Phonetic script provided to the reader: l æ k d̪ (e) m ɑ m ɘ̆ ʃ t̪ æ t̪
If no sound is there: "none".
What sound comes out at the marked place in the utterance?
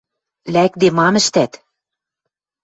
e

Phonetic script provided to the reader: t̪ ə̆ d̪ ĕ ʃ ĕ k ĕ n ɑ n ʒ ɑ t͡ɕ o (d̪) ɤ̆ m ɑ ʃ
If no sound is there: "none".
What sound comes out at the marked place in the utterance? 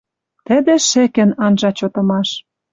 t̪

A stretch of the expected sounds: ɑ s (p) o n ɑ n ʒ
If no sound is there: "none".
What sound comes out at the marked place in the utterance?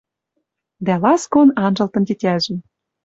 k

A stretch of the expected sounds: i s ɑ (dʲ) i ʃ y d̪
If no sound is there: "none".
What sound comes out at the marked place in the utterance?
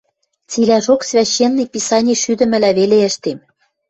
nʲ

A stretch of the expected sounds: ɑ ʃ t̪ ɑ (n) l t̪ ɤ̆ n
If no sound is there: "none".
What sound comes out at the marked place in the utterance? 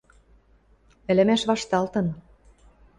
none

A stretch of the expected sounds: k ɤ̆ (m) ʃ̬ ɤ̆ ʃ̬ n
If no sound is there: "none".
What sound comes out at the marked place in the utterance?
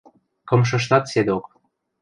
m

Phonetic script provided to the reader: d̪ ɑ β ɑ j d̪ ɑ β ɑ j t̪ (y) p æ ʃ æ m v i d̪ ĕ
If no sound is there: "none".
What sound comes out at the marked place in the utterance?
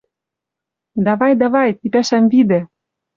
i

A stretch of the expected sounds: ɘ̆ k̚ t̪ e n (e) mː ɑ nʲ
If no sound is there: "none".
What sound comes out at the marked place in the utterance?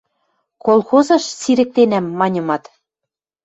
æ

